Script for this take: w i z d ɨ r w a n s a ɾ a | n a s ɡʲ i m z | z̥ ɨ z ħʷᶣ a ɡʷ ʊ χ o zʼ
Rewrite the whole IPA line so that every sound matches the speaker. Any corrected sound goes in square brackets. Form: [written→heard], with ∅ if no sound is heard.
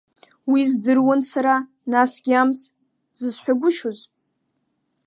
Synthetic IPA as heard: w i z d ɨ r w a n s a ɾ a | n a s ɡʲ [i→a] m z | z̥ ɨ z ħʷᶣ a ɡʷ ʊ [χ→ʃ] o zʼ